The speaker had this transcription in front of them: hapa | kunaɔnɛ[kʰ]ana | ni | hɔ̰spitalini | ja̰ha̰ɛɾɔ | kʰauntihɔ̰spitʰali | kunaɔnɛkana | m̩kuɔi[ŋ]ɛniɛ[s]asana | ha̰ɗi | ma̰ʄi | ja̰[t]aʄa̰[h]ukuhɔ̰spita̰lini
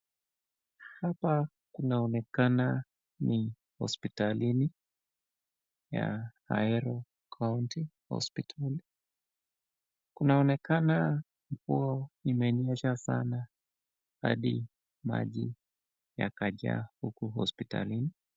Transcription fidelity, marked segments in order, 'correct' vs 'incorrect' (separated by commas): incorrect, incorrect, incorrect, incorrect, correct